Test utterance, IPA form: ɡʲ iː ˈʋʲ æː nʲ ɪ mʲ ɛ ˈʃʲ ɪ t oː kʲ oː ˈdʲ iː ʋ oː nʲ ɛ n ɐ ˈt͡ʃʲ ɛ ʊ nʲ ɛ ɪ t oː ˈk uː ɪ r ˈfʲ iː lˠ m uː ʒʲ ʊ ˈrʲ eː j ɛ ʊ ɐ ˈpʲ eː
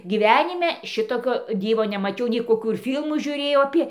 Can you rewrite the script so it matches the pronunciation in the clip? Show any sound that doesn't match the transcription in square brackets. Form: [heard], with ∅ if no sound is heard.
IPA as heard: ɡʲ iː ˈʋʲ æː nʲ ɪ mʲ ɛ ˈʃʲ ɪ t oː kʲ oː ˈdʲ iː ʋ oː nʲ ɛ [m] ɐ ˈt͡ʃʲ ɛ ʊ nʲ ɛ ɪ [k] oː ˈk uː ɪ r ˈfʲ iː lˠ m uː ʒʲ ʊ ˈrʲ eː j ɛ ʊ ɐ ˈpʲ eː